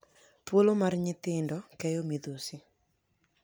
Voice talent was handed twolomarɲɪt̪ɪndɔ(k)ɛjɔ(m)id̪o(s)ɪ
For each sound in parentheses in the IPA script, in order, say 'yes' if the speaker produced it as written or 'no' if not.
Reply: yes, yes, yes

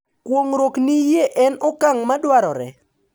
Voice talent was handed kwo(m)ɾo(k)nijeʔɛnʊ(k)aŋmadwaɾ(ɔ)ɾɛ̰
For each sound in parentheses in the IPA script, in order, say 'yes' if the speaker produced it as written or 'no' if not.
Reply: no, yes, yes, yes

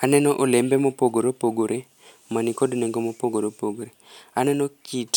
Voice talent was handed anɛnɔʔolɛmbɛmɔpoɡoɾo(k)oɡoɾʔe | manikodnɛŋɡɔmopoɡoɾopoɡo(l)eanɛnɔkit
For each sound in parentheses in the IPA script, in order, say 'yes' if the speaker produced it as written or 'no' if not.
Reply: no, no

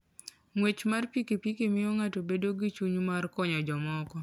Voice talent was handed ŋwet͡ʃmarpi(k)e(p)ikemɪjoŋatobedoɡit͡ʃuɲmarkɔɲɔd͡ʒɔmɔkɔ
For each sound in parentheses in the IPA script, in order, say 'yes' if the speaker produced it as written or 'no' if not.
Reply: yes, yes

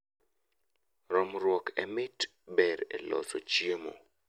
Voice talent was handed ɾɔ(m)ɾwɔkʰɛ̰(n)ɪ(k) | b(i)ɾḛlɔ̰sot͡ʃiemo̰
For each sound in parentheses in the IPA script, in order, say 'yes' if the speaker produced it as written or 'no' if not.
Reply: yes, no, no, no

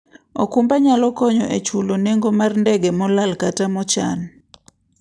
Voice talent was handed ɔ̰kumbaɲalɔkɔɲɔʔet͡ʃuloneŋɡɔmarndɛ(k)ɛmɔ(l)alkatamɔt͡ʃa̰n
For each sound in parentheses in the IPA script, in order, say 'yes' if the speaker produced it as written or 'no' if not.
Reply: no, yes

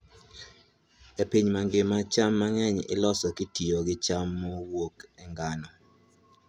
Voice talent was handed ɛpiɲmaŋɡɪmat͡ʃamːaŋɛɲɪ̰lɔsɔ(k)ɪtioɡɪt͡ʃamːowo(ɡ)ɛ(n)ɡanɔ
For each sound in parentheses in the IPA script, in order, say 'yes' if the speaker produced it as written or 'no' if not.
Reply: yes, no, no

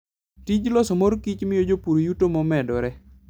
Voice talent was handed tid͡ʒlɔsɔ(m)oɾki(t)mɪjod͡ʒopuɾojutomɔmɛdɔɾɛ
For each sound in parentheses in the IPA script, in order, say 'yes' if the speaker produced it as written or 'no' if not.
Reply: yes, no

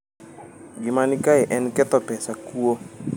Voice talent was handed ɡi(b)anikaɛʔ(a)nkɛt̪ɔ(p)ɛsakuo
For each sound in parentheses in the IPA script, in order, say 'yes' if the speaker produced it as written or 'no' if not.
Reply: no, no, yes

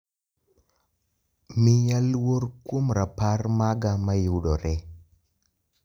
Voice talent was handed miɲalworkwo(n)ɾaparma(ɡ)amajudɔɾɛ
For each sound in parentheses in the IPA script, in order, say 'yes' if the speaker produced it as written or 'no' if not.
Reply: no, yes

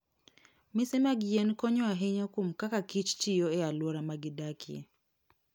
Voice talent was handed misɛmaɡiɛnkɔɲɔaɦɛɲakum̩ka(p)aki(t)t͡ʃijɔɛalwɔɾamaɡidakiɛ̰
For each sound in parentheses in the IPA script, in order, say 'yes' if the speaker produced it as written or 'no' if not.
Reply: no, no

